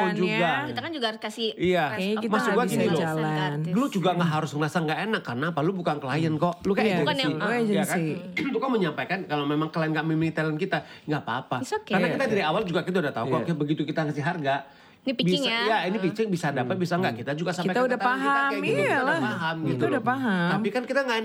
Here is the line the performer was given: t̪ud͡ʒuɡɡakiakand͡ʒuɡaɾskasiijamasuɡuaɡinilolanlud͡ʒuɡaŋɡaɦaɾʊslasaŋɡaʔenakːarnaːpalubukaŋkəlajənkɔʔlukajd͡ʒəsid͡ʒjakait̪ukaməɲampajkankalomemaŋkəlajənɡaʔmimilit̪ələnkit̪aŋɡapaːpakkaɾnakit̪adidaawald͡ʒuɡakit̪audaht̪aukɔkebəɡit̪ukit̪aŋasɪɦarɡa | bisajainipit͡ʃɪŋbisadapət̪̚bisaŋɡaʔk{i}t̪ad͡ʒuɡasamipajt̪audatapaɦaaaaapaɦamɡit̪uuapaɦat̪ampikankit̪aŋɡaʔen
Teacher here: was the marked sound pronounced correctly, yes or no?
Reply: yes